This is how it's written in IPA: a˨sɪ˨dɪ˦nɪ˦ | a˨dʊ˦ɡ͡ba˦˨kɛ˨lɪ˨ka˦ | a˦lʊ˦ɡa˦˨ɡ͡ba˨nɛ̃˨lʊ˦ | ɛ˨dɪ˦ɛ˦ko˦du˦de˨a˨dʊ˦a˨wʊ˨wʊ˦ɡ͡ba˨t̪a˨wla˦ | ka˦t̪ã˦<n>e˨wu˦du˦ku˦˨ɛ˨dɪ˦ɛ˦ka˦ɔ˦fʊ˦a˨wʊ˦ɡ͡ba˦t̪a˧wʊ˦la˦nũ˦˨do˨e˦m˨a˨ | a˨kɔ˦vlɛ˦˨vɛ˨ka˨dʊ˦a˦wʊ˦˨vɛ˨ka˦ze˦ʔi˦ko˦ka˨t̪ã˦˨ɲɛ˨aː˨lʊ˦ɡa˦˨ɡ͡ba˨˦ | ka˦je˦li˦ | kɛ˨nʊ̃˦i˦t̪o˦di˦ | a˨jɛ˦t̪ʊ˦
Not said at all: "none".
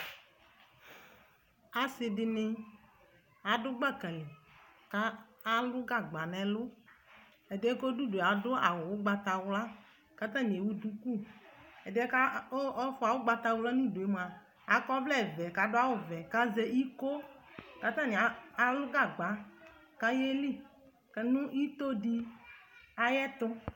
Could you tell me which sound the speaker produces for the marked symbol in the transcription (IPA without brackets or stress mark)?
ɲ